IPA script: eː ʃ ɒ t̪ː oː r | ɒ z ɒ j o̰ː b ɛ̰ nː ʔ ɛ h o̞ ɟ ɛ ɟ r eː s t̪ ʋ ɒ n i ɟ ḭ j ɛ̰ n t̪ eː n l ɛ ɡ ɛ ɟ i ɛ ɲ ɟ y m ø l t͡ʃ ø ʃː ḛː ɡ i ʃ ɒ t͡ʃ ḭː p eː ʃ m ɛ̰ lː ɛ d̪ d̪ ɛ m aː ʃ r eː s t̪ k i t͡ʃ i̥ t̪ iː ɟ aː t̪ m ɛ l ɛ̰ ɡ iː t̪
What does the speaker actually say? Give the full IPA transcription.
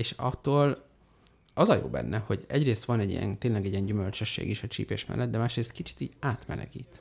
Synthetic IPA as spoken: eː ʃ ɒ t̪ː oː l | ɒ z ɒ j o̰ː b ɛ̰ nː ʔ ɛ h o̞ ɟ ɛ ɟ r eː s t̪ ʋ ɒ n ɛ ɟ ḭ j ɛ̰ n t̪ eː n l ɛ ɡ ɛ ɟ i ɛ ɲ ɟ y m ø l t͡ʃ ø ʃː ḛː ɡ i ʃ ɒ t͡ʃ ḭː p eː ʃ m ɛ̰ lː ɛ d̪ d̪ ɛ m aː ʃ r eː s t̪ k i t͡ʃ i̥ t̪ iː ɟ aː t̪ m ɛ l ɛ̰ ɡ iː t̪